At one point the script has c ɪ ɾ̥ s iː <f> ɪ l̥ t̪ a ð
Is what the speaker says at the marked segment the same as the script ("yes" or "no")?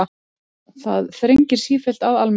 yes